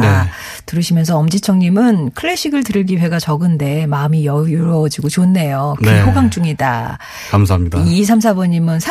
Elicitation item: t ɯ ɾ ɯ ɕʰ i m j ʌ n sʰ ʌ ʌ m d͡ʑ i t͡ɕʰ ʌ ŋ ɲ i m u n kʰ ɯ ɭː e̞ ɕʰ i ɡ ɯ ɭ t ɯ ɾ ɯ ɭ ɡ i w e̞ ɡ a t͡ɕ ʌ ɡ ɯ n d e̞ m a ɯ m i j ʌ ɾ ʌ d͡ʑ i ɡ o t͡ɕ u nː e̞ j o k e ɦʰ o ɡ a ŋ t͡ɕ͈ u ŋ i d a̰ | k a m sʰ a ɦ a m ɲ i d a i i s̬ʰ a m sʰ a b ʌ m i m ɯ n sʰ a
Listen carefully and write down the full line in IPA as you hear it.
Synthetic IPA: t ɯ ɾ ɯ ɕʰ i m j ʌ n sʰ ʌ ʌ m d͡ʑ i t͡ɕʰ ʌ ŋ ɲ i m ɯ n kʰ ɯ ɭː e̞ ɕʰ i ɡ ɯ ɭ t ɯ ɾ ɯ ɭ ɡ i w e̞ ɡ a t͡ɕ ʌ ɡ ɯ n d e̞ m a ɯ m i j ʌ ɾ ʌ d͡ʑ i ɡ o t͡ɕ o nː e̞ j o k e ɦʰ o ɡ a ŋ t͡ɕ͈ u ŋ i d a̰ | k a m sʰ a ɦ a m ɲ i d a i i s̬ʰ a m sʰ a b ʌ ɲ i m ɯ n sʰ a